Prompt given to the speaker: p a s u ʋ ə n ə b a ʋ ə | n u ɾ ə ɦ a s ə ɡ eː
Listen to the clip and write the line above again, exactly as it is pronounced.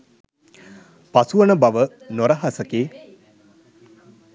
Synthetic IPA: p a s u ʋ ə n ə b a ʋ ə | n o ɾ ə ɦ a s ə k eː

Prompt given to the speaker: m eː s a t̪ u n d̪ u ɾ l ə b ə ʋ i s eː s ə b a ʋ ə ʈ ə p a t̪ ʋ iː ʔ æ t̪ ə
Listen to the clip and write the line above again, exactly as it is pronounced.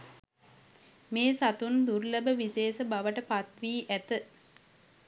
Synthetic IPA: m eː s a t̪ u n d̪ u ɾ l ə b ə ʋ i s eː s ə b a ʋ ə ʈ ə p a t̪ ʋ iː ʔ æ t̪ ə

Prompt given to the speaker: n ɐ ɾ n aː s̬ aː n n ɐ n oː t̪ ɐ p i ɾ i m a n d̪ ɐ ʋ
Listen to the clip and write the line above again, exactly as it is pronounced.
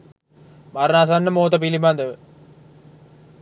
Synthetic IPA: m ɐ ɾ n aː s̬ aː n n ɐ m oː t̪ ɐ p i l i m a n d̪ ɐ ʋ

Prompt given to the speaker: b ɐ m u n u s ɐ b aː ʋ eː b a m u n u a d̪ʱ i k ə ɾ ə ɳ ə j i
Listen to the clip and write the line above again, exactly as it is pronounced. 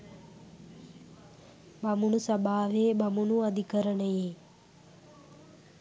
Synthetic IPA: b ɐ m u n u s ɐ b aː ʋ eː b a m u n u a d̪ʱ i k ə ɾ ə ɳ ə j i

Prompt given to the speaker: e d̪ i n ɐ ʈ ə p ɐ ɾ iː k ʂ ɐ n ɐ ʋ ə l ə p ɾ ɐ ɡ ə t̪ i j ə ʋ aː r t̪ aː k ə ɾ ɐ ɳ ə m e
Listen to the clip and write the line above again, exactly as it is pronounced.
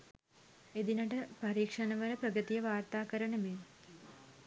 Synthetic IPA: e d̪ i n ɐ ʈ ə p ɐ ɾ iː k ʂ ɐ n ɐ ʋ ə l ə p ɾ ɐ ɡ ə t̪ i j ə ʋ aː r t̪ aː k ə ɾ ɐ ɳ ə m e

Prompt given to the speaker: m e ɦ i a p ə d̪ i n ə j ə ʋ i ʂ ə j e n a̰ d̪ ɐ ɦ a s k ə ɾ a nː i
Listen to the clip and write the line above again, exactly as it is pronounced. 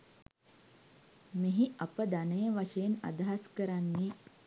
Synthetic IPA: m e ɦ i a p ə d̪ a n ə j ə ʋ a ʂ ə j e n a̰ d̪ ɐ ɦ a s k ə ɾ a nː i

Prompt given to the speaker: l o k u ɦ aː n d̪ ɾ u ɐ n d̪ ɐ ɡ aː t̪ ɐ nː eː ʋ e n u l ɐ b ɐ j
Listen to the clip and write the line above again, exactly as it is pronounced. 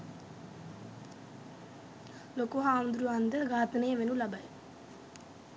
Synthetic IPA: l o k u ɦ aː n d̪ ɾ u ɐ n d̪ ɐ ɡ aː t̪ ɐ n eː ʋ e n u l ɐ b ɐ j

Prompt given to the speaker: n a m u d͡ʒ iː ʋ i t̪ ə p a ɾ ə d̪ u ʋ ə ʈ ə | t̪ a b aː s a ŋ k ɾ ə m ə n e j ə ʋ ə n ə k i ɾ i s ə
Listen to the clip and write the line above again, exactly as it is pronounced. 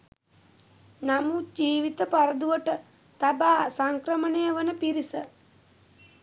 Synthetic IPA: n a m u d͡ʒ iː ʋ i t̪ ə p a ɾ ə d̪ u ʋ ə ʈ ə | t̪ a b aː s a ŋ k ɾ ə m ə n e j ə ʋ ə n ə p i ɾ i s ə

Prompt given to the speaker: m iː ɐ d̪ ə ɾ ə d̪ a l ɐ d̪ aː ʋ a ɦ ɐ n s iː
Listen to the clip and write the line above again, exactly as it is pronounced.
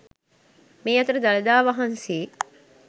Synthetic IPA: m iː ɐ t̪ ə ɾ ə d̪ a l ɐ d̪ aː ʋ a ɦ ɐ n s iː

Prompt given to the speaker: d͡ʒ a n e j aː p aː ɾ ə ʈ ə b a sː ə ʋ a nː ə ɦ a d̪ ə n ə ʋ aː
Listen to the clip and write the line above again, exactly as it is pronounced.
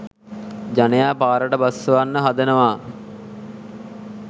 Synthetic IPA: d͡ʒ a n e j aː p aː ɾ ə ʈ ə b a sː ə ʋ a nː ə ɦ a d̪ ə n ə ʋ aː

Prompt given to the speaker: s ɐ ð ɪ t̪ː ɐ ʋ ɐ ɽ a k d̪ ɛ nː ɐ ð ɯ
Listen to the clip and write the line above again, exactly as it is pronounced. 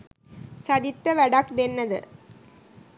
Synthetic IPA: s ɐ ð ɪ t̪ː ɐ ʋ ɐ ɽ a k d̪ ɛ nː ɐ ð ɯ

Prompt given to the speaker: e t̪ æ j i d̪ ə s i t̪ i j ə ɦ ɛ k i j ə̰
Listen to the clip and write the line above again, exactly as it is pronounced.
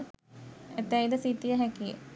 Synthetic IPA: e t̪ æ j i d̪ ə s i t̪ i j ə ɦ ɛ k i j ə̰

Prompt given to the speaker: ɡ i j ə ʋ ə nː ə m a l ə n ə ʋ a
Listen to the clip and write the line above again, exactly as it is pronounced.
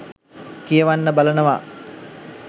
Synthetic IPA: k i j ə ʋ a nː ə b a l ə n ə ʋ a

